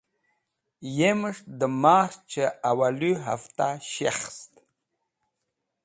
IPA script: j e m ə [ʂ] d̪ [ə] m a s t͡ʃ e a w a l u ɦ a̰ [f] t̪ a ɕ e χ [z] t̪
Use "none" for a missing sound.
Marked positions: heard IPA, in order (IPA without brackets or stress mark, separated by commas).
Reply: ʂ, ə, f, s